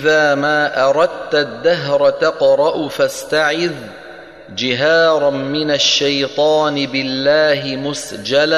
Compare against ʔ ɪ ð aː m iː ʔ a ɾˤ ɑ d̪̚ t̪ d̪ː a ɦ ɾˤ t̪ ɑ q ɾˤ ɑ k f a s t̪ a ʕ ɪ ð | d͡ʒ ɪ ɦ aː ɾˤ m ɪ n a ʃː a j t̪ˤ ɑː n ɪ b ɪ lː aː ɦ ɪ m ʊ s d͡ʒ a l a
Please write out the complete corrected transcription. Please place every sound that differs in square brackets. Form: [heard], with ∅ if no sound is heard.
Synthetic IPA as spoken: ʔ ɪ ð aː m [aː] ʔ [ɑ] ɾˤ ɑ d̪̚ t̪ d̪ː a ɦ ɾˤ t̪ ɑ q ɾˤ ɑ [ʔ] f a s t̪ a ʕ ɪ ð | d͡ʒ ɪ ɦ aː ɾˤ m ɪ n a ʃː a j t̪ˤ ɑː n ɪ b ɪ lː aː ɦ ɪ m ʊ s d͡ʒ a l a